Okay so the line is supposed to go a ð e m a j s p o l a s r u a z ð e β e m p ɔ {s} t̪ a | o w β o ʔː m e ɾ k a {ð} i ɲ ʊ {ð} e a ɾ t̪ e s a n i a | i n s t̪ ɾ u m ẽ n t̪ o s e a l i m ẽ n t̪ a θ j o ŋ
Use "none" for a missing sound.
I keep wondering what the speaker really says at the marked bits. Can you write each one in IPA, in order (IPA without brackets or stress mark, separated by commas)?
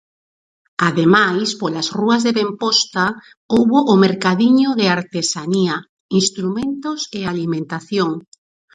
s, ð, ð